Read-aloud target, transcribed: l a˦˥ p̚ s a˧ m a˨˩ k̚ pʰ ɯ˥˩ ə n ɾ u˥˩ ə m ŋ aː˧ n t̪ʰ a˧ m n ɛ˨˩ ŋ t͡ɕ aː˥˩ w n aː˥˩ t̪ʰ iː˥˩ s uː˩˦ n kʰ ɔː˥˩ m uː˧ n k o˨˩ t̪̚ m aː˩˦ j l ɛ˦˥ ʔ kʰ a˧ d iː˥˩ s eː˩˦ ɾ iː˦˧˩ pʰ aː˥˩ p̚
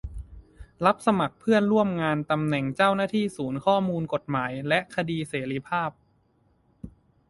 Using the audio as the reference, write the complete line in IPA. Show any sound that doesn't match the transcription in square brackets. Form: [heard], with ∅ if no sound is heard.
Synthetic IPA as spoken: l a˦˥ p̚ s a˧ m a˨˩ k̚ pʰ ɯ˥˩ ə n ɾ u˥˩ ə m ŋ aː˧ n [t̪] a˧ m n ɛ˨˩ ŋ t͡ɕ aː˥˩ w n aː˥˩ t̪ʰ iː˥˩ s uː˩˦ n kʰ ɔː˥˩ m uː˧ n k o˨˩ t̪̚ m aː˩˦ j l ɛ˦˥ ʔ kʰ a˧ d [iː˧] s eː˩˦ ɾ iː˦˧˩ pʰ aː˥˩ p̚